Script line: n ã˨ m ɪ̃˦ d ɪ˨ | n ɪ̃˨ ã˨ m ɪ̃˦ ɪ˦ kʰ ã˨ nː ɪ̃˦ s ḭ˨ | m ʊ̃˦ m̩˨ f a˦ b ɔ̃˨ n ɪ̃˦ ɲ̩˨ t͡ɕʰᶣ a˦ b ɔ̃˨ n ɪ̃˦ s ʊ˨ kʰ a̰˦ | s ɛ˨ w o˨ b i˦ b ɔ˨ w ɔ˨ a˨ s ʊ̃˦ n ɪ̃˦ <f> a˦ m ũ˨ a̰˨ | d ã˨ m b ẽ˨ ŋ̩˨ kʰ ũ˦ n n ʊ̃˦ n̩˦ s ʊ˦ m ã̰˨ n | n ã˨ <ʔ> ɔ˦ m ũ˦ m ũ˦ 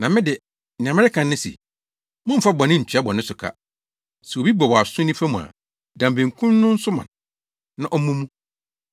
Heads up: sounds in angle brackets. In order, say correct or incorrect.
correct, correct

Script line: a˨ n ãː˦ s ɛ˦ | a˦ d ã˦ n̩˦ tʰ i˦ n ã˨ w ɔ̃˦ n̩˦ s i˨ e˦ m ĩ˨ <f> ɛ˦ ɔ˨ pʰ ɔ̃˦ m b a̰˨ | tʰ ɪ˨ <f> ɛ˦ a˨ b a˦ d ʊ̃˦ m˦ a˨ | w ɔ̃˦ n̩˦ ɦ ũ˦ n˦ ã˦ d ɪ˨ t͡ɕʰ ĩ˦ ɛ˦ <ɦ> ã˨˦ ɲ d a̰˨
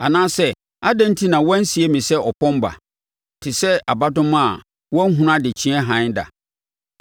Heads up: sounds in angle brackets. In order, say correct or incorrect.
incorrect, incorrect, correct

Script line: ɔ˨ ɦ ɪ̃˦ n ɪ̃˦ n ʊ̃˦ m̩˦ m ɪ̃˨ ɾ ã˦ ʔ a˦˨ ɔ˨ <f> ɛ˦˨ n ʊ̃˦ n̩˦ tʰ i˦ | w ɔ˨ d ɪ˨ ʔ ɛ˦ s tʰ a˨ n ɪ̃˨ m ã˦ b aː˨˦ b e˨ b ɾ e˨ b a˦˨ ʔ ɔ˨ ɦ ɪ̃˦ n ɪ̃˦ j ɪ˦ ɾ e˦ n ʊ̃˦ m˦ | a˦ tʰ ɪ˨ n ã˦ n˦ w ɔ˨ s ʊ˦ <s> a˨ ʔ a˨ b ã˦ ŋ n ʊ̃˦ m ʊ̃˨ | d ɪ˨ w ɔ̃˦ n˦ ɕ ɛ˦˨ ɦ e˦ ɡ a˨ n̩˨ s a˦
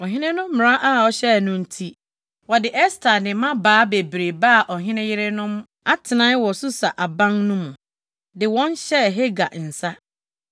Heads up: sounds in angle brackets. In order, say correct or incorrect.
incorrect, correct

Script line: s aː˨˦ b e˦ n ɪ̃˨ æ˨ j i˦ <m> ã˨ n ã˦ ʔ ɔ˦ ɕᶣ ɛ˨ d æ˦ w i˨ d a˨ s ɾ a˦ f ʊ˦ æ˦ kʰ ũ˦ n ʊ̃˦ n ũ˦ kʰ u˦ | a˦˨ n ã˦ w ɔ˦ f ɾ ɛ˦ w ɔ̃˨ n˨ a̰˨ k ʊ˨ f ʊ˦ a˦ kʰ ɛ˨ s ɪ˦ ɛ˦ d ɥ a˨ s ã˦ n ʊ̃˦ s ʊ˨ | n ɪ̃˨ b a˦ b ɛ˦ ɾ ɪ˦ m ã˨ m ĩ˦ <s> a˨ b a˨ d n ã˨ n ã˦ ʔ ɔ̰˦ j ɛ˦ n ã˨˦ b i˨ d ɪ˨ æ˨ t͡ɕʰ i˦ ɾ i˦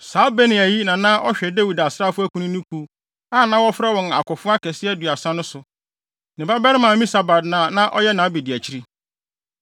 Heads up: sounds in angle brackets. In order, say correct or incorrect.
incorrect, correct

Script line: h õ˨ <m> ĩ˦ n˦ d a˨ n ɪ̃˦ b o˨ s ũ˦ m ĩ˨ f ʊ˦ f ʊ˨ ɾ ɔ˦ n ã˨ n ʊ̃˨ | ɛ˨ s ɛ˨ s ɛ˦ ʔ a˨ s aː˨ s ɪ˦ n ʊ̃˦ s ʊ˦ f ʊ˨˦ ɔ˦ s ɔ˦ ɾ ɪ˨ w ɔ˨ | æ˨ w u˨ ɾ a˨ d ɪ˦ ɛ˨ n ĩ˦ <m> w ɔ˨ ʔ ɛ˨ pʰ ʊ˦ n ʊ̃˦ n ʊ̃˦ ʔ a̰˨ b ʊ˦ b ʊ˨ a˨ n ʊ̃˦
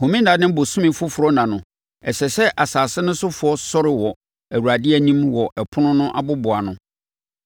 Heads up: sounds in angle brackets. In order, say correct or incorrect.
correct, correct

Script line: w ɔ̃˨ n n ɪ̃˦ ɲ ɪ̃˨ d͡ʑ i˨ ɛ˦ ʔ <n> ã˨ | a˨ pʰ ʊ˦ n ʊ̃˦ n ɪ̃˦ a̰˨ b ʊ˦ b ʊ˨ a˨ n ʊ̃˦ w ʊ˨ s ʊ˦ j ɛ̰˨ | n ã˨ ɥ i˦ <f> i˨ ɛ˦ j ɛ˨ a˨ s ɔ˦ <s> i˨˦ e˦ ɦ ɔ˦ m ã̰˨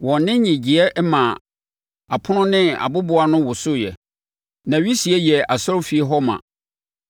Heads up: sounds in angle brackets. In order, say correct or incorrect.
incorrect, incorrect, incorrect

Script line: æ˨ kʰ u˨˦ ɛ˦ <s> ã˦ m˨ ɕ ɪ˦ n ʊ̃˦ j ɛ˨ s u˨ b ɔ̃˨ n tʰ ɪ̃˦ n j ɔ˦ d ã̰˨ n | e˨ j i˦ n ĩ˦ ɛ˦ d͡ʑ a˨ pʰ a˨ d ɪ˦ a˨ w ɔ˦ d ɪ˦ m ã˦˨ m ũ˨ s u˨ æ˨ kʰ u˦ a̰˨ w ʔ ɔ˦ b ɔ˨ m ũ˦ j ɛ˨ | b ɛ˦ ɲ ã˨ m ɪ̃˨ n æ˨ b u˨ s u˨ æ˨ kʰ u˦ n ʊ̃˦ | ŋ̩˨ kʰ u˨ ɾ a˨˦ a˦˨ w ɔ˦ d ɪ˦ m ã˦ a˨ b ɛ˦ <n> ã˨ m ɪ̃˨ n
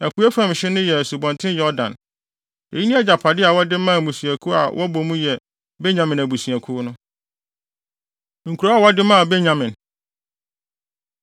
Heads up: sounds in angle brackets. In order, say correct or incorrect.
incorrect, incorrect

